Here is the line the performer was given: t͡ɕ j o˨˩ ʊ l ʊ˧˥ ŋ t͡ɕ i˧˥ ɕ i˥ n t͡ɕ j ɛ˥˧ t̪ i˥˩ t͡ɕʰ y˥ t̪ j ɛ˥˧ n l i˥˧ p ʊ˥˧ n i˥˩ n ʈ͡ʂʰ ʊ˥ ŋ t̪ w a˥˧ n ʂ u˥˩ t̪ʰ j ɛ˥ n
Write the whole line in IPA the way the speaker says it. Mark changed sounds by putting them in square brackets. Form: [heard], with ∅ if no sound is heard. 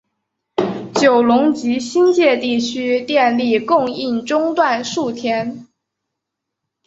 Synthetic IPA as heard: t͡ɕ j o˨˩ ʊ l ʊ˧˥ ŋ t͡ɕ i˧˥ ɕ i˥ n t͡ɕ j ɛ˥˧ t̪ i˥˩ t͡ɕʰ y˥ t̪ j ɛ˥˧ n l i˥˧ [k] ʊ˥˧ [ŋ] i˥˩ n [ʈ͡ʂ] ʊ˥ ŋ t̪ w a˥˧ n ʂ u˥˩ t̪ʰ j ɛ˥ n